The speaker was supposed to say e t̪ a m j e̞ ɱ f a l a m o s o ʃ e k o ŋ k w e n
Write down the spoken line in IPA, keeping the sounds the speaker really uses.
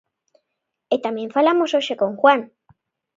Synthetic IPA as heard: e t̪ a m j e̞ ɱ f a l a m o s o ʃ e k o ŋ x w a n